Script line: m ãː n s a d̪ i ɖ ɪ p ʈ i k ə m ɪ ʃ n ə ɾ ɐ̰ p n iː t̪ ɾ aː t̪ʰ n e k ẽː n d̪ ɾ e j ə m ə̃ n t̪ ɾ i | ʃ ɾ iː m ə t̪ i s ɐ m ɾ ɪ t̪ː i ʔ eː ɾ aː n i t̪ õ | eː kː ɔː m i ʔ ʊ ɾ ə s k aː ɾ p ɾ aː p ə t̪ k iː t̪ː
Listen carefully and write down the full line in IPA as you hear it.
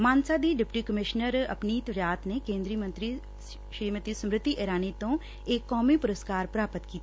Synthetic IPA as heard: m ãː n s a d̪ i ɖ ɪ p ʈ i k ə m ɪ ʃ n ə ɾ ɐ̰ p n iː t̪ ɾ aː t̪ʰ n e k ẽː n d̪ ɾ i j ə m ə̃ n t̪ ɾ i | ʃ ɾ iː m ə t̪ i s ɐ m ɾ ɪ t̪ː i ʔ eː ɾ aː n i t̪ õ | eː kː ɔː m i p ʊ ɾ ə s k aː ɾ p ɾ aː p ə t̪ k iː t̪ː

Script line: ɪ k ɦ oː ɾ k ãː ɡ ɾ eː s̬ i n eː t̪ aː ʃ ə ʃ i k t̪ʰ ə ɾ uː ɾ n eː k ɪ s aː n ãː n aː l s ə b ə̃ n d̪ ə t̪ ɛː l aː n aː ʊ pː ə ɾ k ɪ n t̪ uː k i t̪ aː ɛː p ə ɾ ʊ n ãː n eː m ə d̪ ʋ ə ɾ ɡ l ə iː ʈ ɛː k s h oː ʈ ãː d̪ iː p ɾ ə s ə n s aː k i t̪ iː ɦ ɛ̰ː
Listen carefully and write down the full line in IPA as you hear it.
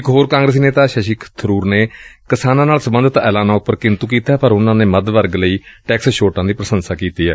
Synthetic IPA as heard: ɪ k ɦ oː ɾ k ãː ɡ ɾ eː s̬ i n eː t̪ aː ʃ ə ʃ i k t̪ʰ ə ɾ uː ɾ n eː k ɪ s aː n ãː n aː l s ə b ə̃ n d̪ ə t̪ ɛː l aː n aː ʊ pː ə ɾ k ɪ n t̪ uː k iː t̪ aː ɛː p ə ɾ ʊ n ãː n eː m ə d̪ ʋ ə ɾ ɡ l ə iː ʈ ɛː k s ʃ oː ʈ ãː d̪ iː p ɾ ə s ə n s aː k iː t̪ iː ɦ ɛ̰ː

